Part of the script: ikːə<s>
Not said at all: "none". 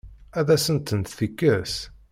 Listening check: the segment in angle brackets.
s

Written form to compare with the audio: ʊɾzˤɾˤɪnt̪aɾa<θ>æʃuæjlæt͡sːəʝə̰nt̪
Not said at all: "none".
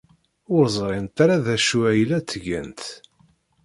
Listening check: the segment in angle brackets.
ð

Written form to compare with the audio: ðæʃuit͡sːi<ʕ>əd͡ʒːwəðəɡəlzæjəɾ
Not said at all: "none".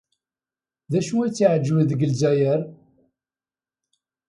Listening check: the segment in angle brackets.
ʕ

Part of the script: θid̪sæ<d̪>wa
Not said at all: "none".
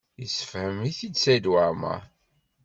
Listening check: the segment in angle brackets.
d̪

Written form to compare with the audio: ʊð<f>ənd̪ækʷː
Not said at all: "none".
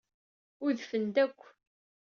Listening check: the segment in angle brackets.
f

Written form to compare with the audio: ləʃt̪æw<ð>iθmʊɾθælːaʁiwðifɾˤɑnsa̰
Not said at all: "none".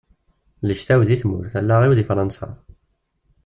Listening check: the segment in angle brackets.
ð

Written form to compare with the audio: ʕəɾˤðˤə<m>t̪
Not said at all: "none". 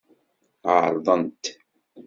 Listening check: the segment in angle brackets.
n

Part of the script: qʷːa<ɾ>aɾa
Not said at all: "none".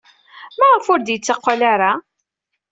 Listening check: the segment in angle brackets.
l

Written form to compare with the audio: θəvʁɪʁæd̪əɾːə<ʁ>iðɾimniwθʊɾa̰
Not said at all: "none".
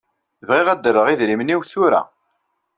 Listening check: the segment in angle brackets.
ʁ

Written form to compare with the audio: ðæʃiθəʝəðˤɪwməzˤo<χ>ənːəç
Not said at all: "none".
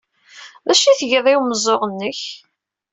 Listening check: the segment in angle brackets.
ʁ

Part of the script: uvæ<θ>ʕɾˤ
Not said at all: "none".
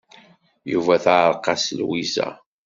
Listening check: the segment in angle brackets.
θ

